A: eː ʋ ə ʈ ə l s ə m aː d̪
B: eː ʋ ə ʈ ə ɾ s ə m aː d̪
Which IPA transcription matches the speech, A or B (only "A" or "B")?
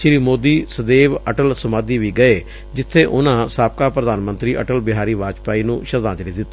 A